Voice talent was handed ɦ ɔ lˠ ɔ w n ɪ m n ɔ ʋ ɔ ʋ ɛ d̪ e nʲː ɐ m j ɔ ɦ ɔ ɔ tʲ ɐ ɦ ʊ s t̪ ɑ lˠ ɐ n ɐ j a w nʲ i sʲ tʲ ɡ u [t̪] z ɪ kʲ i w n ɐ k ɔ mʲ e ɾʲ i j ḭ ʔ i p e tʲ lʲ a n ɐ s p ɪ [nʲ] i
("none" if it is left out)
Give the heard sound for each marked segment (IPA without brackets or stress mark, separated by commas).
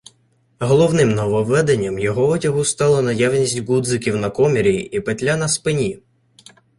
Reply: d̪, nʲ